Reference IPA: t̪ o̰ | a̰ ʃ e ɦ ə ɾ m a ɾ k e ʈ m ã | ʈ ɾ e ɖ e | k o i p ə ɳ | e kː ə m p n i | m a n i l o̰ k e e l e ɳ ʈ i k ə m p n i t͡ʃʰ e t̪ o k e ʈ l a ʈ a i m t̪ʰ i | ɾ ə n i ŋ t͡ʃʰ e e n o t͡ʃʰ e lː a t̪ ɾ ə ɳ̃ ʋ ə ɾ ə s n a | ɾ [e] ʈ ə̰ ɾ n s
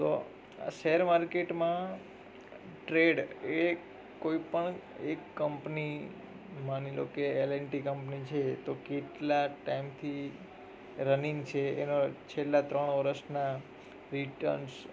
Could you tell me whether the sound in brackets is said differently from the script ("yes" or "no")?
yes